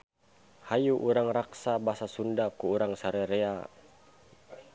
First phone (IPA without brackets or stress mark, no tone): h